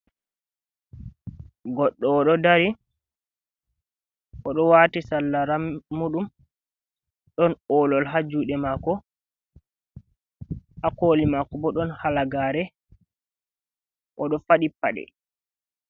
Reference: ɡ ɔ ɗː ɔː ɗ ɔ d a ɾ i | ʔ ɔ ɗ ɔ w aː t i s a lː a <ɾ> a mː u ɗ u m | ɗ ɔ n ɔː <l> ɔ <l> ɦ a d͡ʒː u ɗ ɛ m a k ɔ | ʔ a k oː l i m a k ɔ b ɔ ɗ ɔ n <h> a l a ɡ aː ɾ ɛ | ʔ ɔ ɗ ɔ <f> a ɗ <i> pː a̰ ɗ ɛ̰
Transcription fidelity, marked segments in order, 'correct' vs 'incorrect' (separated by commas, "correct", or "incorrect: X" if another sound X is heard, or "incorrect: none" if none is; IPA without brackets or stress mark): correct, correct, correct, correct, correct, correct